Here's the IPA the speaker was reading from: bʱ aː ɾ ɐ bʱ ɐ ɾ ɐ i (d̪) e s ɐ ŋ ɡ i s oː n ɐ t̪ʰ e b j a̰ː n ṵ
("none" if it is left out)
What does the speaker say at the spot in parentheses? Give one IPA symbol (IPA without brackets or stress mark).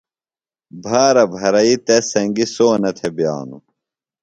t̪